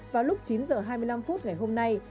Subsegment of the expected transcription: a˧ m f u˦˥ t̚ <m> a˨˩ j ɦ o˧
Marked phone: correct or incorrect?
incorrect